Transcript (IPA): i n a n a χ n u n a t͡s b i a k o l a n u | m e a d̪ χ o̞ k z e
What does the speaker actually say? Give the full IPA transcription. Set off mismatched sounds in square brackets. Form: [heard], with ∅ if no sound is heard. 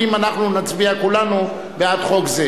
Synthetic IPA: i [m] a n a χ n u n a t͡s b i a k [u] l a n u | [b] e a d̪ χ o̞ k z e